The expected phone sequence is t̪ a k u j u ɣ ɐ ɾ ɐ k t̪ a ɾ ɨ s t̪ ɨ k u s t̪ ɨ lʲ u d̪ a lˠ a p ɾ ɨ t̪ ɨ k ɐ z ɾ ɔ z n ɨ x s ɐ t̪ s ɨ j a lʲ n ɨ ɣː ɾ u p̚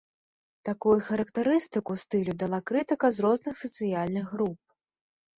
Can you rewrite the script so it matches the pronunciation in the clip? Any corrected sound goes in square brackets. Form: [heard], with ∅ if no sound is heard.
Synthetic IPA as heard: t̪ a k u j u [x] ɐ ɾ ɐ k t̪ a ɾ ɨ s t̪ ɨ k u s t̪ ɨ lʲ u d̪ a lˠ a [k] ɾ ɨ t̪ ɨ k ɐ z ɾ ɔ z n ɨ x s ɐ t̪ s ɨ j a lʲ n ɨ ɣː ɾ u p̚